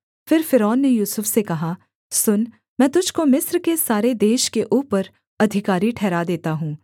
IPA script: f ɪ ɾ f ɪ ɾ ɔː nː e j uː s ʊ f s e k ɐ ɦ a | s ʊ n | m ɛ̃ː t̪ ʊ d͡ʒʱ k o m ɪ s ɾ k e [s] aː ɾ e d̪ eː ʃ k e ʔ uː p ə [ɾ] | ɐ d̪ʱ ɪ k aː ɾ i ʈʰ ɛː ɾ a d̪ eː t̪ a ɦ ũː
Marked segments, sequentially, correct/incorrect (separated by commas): correct, correct